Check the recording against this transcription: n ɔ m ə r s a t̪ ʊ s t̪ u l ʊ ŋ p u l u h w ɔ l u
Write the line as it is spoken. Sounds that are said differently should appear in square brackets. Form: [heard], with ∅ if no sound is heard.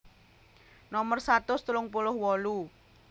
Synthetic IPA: n ɔ m ə r s a t̪ ʊ s t̪ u l ʊ ŋ p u l [ʊ] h w ɔ l u

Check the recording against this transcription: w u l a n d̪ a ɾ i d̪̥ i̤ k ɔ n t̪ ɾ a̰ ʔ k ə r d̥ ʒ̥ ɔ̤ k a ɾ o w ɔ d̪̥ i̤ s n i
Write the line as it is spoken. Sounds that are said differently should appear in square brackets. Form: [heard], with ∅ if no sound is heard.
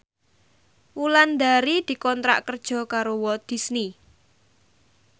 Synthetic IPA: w u l a n d̪ a ɾ i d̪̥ i̤ k ɔ n t̪ ɾ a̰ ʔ k ə r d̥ ʒ̥ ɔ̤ k a ɾ o w ɔ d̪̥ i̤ s n i

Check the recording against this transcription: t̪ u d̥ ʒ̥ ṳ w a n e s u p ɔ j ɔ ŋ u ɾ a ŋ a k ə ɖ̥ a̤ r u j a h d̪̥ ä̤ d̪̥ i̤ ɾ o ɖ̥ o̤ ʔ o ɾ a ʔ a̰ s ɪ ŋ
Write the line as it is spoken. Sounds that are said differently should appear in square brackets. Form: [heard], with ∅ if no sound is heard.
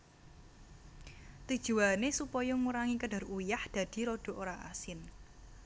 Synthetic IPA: t̪ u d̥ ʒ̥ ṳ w a n e s u p ɔ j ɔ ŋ u ɾ a ŋ [i] k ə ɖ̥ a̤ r u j a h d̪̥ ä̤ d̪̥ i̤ ɾ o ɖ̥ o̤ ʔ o ɾ a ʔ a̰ s ɪ [n]

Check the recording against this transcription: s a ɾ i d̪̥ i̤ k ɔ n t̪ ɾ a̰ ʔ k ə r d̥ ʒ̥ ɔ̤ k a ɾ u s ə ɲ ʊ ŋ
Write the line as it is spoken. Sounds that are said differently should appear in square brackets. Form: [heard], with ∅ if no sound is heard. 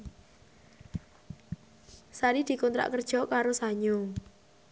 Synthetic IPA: s a ɾ i d̪̥ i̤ k ɔ n t̪ ɾ a̰ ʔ k ə r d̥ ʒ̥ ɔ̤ k a ɾ [o] s [a] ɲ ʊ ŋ

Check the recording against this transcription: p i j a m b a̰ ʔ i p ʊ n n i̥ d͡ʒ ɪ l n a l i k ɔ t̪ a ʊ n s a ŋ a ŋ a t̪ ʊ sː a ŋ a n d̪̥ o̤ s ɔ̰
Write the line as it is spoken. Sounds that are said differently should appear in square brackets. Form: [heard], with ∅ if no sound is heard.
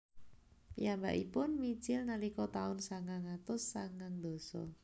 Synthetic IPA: p i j a m b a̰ ʔ i p ʊ n [m] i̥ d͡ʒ ɪ l n a l i k ɔ t̪ a ʊ n s a ŋ a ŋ a t̪ ʊ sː a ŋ a [ŋ] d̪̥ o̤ s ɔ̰

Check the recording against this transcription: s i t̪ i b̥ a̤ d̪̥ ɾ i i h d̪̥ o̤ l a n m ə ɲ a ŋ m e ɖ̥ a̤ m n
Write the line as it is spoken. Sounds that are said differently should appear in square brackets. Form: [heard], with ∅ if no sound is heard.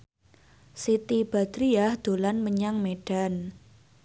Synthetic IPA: s i t̪ i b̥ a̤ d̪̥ ɾ i [a] h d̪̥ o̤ l a n m ə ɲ a ŋ m e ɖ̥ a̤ [∅] n

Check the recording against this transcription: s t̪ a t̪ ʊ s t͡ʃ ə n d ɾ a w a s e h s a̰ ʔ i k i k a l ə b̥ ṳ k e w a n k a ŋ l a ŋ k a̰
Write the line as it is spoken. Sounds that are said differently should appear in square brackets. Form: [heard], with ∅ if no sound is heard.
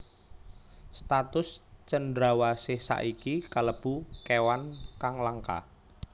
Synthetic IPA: s t̪ a t̪ ʊ s t͡ʃ ə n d ɾ a w a s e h s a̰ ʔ i k i k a l ə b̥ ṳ k e w a n k a ŋ l a ŋ k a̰

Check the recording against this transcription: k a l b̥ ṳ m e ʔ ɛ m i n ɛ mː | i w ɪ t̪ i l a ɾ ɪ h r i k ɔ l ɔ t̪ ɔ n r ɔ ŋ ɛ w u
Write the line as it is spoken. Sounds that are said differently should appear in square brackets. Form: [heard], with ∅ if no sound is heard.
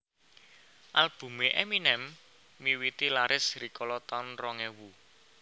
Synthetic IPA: [ʔ] a l b̥ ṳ m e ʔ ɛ m i n ɛ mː | i w [i] t̪ i l a ɾ ɪ [s] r i k ɔ l ɔ t̪ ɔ n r ɔ ŋ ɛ w u

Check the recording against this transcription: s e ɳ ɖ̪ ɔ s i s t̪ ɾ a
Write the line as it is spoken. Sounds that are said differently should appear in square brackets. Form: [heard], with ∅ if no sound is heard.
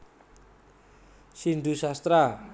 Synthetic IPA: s [i] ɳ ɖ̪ [u] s [a] s t̪ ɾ a

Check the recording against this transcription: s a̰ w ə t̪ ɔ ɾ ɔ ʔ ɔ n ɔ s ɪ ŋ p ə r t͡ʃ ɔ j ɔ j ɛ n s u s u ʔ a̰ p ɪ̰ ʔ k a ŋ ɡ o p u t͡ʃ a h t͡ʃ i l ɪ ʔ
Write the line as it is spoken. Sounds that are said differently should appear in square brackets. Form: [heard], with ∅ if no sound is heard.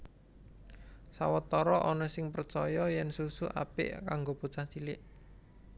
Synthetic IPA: s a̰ w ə t̪ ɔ ɾ ɔ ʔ ɔ n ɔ s ɪ ŋ p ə r t͡ʃ ɔ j ɔ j ɛ n s u s u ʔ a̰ p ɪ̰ ʔ k a ŋ ɡ o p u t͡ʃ a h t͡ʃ i l ɪ ʔ

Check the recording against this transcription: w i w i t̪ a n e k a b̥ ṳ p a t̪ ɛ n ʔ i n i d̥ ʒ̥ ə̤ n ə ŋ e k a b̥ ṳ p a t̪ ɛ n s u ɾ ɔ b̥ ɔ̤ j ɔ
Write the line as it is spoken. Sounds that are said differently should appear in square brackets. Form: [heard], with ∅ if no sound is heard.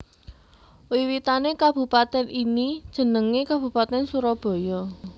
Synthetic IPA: w i w i t̪ a n e k a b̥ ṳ p a t̪ ɛ n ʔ i n i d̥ ʒ̥ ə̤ n ə ŋ e k a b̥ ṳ p a t̪ ɛ n s u ɾ ɔ b̥ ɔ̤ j ɔ

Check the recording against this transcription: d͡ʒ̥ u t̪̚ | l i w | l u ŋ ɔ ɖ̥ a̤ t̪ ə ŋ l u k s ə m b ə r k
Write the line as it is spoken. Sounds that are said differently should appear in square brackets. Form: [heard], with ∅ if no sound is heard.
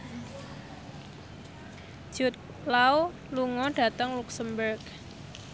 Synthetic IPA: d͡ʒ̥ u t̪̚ | l [a] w | l u ŋ ɔ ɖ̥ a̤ t̪ ə ŋ l u k s ə m b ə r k

